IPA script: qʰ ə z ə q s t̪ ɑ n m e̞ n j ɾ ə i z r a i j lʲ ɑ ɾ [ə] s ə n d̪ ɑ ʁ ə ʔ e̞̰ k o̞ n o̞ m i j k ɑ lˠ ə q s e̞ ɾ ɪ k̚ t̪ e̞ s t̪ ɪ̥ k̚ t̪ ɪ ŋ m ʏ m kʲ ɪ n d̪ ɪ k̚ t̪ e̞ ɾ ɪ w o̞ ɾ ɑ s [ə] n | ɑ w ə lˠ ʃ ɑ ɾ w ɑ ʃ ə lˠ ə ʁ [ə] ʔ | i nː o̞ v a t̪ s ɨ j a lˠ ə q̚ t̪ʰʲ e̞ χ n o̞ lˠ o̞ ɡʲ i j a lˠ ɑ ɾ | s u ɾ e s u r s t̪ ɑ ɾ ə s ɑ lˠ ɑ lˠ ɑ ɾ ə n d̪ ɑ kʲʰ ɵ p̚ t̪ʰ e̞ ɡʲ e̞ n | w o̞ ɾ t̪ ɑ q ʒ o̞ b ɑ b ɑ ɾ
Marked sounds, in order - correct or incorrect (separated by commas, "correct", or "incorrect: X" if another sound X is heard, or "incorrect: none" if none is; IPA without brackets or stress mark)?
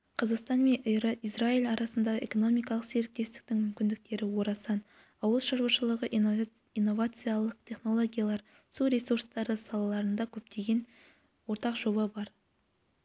incorrect: ɑ, incorrect: ɑ, correct